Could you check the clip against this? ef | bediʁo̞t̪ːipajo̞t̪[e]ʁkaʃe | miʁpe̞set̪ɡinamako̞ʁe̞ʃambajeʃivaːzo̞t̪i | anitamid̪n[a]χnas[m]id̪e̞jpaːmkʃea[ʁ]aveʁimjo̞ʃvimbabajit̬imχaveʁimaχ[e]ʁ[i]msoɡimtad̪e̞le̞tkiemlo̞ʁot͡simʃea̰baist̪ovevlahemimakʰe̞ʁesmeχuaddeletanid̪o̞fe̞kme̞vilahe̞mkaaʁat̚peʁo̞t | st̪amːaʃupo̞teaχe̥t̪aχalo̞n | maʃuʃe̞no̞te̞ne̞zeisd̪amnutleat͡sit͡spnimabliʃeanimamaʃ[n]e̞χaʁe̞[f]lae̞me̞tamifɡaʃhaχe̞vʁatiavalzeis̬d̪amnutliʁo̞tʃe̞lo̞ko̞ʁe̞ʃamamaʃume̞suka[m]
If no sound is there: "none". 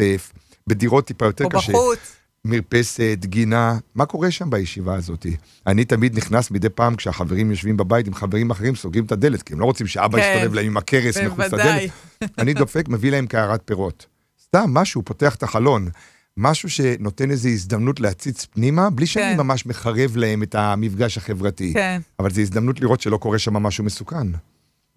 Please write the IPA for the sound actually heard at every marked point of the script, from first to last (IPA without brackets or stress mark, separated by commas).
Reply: e, i, m, χ, e, i, m, v, n